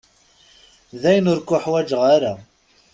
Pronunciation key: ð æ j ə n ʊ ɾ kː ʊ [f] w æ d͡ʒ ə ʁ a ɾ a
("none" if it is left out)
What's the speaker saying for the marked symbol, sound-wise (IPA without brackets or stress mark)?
ħ